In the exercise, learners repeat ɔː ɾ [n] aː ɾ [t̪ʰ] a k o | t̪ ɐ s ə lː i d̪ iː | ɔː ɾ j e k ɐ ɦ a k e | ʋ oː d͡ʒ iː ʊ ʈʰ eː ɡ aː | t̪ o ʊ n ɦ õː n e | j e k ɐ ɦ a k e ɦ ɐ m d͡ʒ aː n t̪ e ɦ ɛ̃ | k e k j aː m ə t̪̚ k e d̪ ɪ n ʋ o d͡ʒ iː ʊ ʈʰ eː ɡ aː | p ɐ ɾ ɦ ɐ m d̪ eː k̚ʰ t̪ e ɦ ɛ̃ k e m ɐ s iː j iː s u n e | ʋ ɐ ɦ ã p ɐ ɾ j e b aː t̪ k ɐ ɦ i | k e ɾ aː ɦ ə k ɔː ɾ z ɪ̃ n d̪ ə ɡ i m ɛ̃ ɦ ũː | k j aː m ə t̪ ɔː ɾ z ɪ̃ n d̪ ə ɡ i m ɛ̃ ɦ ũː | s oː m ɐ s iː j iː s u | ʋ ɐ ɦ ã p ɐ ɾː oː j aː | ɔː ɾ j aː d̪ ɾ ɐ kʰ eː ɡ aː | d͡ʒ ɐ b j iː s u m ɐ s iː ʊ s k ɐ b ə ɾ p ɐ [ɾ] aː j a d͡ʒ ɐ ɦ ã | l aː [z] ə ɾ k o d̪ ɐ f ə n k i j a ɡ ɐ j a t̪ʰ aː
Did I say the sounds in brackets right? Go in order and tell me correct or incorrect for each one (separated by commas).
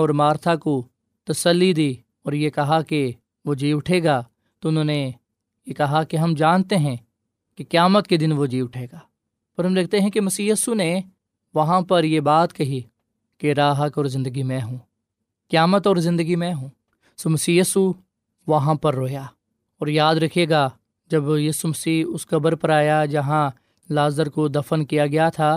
incorrect, correct, correct, correct